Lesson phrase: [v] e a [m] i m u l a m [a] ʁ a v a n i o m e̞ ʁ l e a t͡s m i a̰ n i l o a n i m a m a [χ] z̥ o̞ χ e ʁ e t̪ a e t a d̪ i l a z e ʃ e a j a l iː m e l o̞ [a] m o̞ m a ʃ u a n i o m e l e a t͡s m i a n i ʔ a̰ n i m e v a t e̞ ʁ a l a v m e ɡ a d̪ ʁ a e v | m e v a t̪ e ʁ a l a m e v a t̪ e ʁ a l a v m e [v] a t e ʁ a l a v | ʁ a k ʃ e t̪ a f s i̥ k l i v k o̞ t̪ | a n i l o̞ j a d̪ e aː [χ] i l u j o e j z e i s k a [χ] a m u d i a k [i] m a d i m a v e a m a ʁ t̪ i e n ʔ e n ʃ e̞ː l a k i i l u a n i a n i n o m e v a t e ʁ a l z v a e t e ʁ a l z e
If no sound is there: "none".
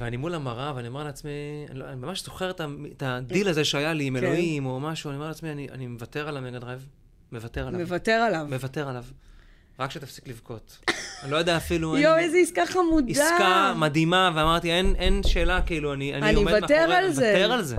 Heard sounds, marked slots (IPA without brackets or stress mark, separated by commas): v, n, a, ʃ, i, v, f, χ, a